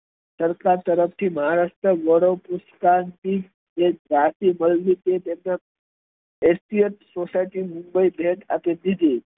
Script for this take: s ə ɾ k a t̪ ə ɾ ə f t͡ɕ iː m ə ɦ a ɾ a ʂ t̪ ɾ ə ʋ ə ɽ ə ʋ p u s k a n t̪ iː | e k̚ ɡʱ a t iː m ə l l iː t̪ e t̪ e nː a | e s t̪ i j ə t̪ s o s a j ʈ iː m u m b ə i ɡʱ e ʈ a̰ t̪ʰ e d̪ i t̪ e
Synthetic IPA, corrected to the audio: s ə ɾ k a t̪ ə ɾ ə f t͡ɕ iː m ə ɦ a ɾ a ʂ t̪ ɾ ə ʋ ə ɽ ə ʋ p u s k a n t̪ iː | e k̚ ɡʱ a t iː m ə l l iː t̪ e t̪ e nː a | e s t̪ i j ə t̪ s o s a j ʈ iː m u m b ə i bʱ e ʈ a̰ t̪ e d̪ i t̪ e